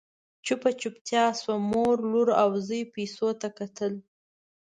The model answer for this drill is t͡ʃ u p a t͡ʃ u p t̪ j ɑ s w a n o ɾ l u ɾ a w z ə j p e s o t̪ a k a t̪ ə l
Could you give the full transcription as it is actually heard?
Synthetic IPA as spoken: t͡ʃ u p a t͡ʃ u p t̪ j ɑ s w a m o ɾ l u ɾ a w z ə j p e s o t̪ a k a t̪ ə l